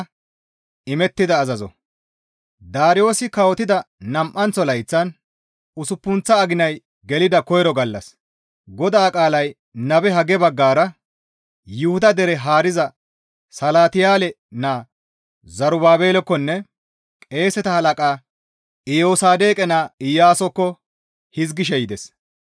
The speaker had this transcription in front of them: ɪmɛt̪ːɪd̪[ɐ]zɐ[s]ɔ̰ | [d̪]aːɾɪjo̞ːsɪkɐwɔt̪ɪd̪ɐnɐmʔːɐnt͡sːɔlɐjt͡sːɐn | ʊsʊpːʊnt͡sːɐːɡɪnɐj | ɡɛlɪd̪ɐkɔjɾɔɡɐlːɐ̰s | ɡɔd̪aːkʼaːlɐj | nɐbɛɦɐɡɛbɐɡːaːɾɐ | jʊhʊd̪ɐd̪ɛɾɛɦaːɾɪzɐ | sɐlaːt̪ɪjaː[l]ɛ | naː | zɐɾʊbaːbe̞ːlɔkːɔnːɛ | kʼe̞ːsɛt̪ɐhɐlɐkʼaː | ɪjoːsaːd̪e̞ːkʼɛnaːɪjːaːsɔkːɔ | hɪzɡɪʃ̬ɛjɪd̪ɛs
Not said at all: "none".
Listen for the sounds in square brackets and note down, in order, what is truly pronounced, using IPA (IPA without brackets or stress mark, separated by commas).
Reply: ɐː, z, d̪, l